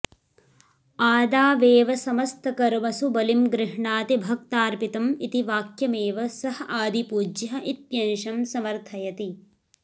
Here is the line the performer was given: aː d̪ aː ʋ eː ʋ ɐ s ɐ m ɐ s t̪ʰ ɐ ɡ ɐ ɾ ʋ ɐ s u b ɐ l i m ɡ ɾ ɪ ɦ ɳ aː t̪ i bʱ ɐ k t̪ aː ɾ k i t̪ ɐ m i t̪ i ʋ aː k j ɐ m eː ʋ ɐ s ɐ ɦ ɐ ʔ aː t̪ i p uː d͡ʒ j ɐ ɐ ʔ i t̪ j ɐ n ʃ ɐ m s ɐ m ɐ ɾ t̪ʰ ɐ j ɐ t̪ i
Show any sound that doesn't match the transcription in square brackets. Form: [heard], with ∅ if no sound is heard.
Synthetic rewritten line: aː d̪ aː ʋ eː ʋ ɐ s ɐ m ɐ s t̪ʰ ɐ [k] ɐ ɾ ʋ ɐ s u b ɐ l i m ɡ ɾ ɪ ɦ ɳ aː t̪ i bʱ ɐ k t̪ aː ɾ [p] i t̪ ɐ m i t̪ i ʋ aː k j ɐ m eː ʋ ɐ s ɐ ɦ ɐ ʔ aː [d̪] i p uː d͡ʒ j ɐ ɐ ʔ i t̪ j ɐ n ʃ ɐ m s ɐ m ɐ ɾ t̪ʰ ɐ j ɐ t̪ i